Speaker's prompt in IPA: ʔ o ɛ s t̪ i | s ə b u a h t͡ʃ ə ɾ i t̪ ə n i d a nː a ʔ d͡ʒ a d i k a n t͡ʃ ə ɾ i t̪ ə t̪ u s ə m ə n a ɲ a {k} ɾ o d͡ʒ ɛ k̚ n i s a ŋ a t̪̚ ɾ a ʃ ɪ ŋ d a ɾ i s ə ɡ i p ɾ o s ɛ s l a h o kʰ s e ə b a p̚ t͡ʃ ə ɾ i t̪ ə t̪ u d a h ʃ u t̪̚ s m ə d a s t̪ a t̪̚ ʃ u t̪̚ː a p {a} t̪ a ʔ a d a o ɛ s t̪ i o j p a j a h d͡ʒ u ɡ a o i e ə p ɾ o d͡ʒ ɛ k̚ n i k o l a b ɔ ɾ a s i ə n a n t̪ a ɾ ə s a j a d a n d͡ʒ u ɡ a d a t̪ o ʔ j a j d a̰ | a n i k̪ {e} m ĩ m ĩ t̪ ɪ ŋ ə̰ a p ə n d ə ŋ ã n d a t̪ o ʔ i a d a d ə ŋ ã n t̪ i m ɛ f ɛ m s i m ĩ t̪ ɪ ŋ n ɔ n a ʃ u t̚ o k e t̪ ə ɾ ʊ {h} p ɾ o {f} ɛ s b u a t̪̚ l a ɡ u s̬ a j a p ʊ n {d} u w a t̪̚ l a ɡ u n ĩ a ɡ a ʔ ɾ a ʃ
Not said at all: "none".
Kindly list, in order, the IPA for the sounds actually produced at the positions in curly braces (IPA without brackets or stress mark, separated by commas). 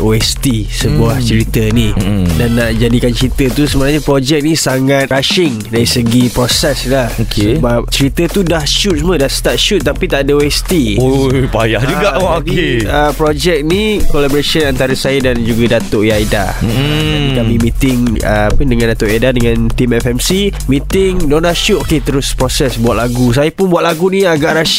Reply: p, i, a, s, s, b